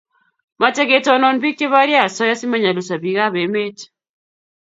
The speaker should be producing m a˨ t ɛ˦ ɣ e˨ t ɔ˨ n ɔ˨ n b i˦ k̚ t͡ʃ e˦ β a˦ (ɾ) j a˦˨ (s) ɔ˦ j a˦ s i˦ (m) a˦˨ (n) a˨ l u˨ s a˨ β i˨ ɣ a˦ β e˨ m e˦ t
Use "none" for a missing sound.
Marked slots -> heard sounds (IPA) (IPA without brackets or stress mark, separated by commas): ɾ, s, m, ɲ